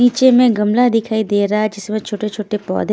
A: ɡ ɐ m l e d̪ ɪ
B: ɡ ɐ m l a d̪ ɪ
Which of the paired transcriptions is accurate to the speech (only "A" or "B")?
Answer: B